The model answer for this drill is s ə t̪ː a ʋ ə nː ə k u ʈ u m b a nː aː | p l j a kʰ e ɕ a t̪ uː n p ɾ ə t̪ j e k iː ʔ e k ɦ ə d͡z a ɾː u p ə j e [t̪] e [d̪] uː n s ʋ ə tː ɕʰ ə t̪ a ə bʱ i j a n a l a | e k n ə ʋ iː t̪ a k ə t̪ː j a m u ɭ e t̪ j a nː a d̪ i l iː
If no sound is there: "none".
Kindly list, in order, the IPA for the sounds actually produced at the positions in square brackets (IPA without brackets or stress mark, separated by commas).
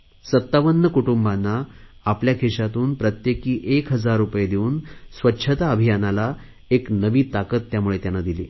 d̪, none